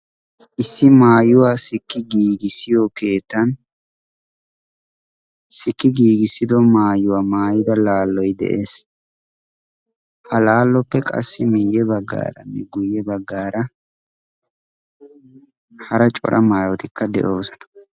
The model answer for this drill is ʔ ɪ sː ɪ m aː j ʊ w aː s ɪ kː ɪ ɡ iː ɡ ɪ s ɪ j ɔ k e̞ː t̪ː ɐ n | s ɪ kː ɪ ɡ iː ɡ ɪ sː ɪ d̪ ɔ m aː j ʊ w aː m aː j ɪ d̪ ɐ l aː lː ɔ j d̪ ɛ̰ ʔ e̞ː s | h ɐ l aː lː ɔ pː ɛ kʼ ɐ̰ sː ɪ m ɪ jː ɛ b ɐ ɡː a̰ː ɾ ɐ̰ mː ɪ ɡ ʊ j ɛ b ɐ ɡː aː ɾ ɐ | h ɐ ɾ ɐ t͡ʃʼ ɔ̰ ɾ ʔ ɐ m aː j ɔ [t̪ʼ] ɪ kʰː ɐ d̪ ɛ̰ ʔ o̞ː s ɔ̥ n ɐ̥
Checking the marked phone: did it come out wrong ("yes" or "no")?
yes